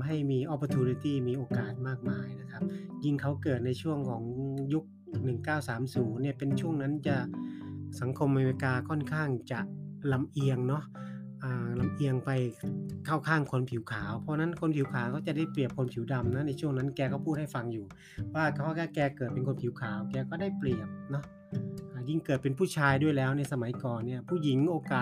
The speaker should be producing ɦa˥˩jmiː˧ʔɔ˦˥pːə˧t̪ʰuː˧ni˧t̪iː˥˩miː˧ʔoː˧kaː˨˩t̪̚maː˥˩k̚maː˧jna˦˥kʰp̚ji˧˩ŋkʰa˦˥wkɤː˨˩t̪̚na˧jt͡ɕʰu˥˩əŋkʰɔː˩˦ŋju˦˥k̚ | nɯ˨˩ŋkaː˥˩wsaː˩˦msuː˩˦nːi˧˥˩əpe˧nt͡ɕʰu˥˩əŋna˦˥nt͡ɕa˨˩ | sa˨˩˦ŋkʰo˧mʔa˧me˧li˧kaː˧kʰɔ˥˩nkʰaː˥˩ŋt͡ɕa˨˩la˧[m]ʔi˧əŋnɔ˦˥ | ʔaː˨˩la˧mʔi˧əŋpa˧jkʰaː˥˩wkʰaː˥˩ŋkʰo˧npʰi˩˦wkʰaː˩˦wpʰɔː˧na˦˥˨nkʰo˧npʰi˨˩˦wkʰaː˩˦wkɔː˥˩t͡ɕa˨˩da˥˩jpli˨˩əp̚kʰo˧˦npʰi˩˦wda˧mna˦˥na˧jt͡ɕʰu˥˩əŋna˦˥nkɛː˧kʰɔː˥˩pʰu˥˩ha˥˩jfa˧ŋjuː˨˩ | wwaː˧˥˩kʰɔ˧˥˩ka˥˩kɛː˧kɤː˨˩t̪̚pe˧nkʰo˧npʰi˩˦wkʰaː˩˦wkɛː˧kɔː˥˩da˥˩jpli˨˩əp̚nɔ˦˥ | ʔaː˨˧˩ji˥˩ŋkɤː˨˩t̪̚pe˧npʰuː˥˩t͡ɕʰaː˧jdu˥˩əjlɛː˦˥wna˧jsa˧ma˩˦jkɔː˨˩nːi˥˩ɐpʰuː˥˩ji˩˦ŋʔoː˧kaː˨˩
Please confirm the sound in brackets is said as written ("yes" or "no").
yes